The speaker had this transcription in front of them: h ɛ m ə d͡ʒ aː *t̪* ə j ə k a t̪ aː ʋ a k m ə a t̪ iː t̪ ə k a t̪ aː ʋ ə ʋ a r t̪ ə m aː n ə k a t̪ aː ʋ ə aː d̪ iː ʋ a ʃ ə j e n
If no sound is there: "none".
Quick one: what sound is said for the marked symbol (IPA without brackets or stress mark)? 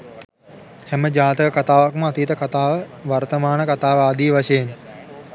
t̪